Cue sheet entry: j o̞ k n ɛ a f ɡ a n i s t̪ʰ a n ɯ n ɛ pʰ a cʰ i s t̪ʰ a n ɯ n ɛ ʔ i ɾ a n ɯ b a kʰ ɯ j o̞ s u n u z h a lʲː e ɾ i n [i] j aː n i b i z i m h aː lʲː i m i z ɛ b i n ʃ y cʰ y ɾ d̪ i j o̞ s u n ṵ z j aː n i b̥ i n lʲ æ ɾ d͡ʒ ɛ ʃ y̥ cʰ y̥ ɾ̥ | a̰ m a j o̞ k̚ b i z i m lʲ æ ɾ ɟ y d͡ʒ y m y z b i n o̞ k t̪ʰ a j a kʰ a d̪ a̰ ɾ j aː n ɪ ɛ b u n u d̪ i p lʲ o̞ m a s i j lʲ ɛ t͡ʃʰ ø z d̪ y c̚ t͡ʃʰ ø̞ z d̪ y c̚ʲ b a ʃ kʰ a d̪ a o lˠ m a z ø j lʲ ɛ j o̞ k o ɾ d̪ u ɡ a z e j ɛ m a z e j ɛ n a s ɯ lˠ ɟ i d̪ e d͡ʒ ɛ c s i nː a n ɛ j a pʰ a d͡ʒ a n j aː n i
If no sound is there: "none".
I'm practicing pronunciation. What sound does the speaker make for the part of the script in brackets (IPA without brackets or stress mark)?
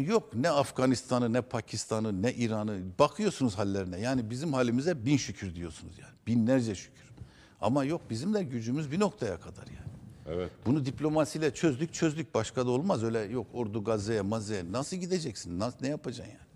ɛ